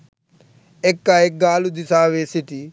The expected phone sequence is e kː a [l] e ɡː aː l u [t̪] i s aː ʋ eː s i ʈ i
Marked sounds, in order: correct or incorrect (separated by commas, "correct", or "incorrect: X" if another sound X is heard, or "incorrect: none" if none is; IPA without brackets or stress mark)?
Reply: incorrect: none, incorrect: d̪